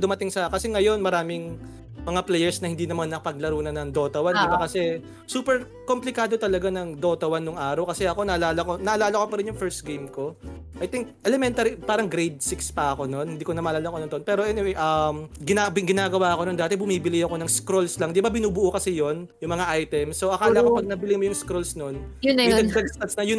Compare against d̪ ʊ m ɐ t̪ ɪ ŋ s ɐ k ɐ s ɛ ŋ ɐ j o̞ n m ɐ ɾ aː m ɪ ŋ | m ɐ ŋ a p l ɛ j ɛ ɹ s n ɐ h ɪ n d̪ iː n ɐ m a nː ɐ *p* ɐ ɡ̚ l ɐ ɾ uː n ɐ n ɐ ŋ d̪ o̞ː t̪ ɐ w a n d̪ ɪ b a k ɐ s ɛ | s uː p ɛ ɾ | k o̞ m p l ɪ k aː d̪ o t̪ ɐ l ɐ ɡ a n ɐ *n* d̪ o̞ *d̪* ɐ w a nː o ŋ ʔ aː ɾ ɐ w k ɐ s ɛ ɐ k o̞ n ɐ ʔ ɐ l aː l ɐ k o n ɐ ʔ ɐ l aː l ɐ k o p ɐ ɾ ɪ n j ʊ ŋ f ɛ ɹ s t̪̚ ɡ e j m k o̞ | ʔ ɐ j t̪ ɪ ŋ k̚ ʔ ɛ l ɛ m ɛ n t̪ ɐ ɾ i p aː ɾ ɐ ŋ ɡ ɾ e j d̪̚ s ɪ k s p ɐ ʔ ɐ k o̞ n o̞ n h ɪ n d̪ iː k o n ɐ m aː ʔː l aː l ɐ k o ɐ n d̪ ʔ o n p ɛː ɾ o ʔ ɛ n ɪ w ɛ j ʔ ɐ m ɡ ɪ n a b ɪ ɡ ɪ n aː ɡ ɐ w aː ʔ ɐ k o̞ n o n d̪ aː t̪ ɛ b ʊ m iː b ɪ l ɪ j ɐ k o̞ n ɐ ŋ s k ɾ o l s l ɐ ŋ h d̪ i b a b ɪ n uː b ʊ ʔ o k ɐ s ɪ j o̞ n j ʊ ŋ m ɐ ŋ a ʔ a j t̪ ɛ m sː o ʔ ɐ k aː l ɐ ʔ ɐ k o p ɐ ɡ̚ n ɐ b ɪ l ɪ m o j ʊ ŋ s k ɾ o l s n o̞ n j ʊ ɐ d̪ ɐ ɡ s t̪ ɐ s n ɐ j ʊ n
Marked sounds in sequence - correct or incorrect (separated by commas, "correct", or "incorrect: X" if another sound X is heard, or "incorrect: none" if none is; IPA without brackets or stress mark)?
correct, incorrect: ŋ, incorrect: t̪